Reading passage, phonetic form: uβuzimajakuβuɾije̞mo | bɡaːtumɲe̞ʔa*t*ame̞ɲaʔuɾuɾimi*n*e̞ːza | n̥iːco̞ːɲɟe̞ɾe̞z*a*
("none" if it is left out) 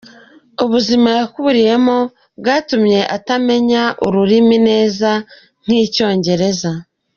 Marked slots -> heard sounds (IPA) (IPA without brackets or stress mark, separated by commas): t, n, a